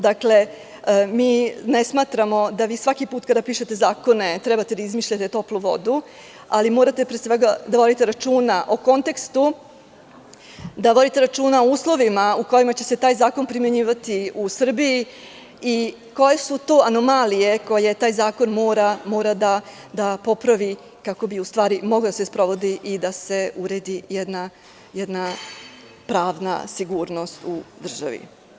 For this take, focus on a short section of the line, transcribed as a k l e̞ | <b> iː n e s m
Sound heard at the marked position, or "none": m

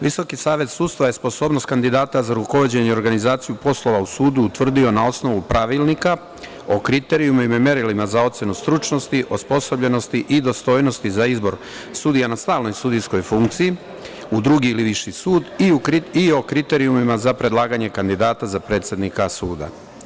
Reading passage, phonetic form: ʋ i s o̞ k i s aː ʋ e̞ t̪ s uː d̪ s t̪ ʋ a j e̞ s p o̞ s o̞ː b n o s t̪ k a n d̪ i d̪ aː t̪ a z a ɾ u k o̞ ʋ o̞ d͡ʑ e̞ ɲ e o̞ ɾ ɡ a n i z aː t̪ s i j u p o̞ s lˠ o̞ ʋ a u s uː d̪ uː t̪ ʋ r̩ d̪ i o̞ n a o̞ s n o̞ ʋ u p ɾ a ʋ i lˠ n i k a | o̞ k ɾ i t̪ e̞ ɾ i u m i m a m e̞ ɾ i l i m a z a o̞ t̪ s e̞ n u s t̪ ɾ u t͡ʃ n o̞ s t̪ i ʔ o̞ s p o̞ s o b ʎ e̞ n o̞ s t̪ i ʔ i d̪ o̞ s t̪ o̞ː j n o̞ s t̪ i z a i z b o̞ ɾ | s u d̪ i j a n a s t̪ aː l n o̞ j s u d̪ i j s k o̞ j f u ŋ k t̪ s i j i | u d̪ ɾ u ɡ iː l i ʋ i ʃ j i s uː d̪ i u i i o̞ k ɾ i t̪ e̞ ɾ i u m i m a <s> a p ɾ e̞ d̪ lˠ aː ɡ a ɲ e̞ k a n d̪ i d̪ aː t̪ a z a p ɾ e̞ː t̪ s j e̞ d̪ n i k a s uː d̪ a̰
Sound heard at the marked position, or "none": z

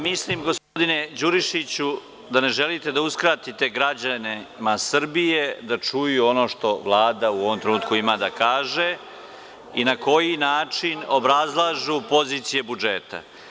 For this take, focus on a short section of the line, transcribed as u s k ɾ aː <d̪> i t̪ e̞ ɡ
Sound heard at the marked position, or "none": t̪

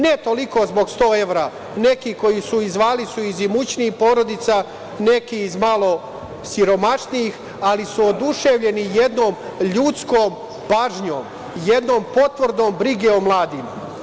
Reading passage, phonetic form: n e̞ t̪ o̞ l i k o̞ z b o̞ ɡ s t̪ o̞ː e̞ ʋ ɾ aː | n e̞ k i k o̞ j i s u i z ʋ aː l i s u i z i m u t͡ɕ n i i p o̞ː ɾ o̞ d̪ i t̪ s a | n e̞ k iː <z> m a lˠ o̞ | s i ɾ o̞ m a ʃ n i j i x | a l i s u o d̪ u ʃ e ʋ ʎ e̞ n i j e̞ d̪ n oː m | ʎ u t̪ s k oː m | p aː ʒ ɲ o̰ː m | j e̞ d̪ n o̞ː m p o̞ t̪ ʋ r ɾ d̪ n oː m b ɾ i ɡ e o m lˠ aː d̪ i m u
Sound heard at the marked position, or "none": z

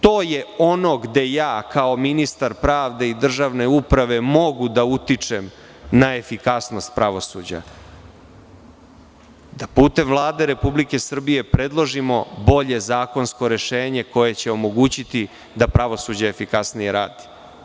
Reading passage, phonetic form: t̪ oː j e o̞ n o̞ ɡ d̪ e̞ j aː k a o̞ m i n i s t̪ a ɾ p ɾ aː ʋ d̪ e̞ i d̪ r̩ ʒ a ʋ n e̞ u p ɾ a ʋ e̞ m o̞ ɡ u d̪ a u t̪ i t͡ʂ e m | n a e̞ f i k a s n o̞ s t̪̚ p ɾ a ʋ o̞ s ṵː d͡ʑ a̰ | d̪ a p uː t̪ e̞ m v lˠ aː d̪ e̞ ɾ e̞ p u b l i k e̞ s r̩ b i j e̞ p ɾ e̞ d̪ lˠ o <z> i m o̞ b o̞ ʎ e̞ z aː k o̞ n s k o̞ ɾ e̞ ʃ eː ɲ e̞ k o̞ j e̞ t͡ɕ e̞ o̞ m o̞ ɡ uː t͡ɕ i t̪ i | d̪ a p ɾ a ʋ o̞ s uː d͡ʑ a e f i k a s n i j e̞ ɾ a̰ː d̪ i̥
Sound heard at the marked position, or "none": ʒ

